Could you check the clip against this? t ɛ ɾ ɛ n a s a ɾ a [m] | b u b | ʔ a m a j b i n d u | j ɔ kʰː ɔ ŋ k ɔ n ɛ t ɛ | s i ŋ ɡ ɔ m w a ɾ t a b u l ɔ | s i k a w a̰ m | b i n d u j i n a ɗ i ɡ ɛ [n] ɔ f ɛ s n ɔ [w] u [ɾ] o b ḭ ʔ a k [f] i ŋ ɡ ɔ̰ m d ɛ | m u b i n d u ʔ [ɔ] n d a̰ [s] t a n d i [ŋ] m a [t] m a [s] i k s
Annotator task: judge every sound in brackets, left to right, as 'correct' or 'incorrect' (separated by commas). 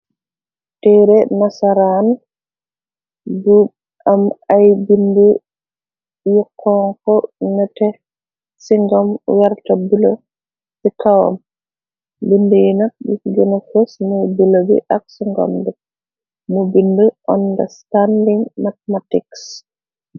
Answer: incorrect, correct, incorrect, incorrect, incorrect, correct, correct, correct, correct, incorrect